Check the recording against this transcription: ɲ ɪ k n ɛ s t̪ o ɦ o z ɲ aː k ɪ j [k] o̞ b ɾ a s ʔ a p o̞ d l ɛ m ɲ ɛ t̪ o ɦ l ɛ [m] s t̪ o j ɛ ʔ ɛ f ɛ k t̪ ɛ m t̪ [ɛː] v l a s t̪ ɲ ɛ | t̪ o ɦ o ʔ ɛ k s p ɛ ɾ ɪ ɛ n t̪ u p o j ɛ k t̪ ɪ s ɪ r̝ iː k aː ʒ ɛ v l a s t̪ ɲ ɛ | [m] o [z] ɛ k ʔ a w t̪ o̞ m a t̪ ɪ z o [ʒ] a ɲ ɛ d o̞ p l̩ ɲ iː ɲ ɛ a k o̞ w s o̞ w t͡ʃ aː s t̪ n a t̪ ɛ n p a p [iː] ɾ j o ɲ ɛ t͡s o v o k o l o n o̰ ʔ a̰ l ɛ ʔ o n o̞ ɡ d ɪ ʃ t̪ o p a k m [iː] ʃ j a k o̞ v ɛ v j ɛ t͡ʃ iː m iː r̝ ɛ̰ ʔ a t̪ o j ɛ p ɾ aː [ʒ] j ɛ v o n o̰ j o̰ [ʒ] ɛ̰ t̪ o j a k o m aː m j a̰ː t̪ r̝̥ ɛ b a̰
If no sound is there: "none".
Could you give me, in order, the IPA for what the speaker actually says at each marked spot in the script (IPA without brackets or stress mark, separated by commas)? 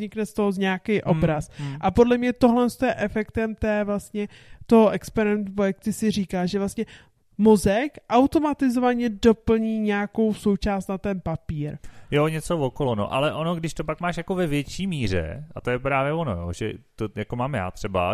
ʔ, n, ɛː, m, z, v, iː, aː, v, ʒ